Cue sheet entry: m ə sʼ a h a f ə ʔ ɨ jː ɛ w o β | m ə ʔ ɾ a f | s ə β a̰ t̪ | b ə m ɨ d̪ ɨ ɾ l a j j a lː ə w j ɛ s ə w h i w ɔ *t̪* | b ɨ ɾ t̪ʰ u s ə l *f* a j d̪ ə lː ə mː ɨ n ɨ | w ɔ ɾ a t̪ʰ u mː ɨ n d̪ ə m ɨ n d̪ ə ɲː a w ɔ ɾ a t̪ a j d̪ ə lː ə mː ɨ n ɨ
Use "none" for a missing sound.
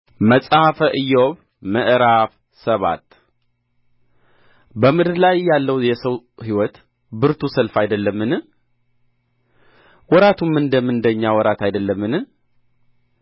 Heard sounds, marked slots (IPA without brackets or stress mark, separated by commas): t̪, f